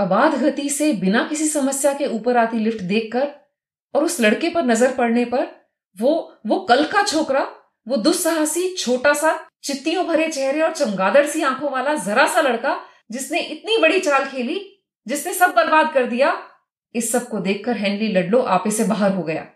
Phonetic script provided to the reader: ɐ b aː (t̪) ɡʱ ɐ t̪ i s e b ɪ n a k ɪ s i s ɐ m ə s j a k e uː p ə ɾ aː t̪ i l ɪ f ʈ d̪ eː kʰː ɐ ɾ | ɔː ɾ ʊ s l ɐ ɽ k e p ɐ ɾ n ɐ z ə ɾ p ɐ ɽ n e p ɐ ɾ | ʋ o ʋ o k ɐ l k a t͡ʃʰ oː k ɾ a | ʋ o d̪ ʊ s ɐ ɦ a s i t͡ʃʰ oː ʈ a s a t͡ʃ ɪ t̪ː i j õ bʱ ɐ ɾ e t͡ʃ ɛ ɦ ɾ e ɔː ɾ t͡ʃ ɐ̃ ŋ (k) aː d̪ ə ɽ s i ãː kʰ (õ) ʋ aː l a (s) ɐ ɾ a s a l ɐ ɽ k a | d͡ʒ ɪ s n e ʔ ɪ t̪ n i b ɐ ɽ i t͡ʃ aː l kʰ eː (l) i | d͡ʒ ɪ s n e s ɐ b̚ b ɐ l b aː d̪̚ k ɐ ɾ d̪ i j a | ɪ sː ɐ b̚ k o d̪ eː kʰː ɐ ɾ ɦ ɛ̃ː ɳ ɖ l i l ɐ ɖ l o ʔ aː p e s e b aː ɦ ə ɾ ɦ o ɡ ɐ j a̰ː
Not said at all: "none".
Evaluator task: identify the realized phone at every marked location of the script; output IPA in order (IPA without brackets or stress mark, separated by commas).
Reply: d̪, ɡ, õ, z, l